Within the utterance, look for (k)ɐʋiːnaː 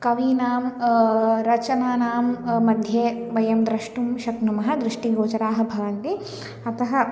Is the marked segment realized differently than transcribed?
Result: no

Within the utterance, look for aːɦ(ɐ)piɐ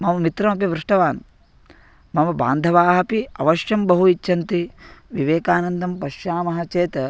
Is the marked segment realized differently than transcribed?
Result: no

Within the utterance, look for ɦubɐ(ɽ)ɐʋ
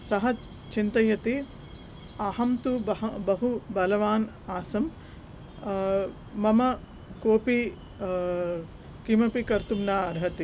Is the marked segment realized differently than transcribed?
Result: yes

